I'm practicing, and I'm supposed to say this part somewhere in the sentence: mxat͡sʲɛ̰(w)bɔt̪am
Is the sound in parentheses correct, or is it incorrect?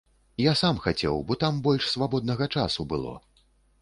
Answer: correct